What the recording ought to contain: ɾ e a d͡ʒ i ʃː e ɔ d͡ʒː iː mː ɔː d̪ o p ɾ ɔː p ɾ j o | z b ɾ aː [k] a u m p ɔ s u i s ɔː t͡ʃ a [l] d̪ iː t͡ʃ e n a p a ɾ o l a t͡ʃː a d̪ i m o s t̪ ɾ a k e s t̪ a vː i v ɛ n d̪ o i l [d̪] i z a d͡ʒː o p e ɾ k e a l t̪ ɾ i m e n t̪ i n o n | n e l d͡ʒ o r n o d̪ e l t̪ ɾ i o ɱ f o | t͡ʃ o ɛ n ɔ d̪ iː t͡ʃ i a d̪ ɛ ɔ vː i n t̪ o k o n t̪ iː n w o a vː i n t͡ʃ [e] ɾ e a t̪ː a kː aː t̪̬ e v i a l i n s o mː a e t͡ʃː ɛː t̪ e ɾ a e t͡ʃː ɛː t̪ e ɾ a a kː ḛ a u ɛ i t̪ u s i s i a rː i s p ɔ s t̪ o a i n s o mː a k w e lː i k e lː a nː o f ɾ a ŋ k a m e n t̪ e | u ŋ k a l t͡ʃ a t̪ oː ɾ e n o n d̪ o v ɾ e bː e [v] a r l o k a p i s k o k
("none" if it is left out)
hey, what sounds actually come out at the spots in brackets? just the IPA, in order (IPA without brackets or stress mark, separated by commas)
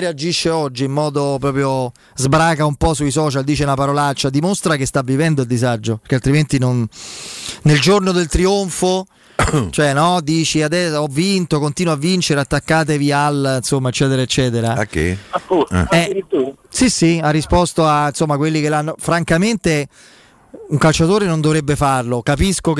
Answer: k, l, d̪, e, f